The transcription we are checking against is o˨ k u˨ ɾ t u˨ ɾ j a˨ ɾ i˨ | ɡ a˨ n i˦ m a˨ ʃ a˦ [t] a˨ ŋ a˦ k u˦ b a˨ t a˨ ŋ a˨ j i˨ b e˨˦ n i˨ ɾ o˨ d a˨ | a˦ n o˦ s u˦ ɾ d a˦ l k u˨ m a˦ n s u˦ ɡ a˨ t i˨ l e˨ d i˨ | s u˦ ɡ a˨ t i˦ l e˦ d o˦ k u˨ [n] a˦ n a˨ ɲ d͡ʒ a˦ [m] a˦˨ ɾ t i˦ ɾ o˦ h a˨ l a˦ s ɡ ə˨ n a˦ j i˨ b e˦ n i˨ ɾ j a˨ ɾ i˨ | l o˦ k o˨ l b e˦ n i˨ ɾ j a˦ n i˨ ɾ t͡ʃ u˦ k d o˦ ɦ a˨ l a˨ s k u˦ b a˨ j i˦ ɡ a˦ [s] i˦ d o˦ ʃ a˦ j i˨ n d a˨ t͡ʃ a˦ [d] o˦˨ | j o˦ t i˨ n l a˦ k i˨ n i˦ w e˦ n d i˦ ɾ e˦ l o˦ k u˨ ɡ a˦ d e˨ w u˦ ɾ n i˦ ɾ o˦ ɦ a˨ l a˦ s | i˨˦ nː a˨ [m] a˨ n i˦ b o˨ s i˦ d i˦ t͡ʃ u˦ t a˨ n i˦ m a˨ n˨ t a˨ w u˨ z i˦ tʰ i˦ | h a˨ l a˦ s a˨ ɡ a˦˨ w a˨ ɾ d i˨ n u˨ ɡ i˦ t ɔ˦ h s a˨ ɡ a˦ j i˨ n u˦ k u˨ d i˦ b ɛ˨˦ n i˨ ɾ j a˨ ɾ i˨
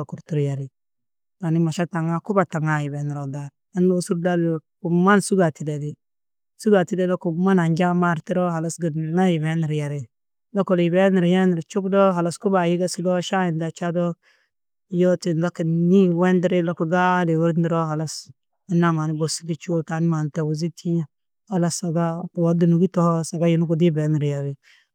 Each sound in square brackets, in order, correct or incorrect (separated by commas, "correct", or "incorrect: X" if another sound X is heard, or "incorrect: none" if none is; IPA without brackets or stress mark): correct, incorrect: m, correct, correct, correct, correct